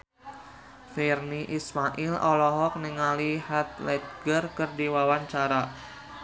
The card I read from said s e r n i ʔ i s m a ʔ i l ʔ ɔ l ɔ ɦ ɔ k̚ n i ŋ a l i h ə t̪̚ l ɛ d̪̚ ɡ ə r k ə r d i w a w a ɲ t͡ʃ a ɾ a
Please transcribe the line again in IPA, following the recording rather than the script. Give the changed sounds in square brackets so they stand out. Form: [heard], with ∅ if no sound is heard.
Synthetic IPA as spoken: [f] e r n i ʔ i s m a ʔ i l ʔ ɔ l ɔ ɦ ɔ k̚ n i ŋ a l i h [a] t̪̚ l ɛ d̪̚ ɡ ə r k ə r d i w a w a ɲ t͡ʃ a ɾ a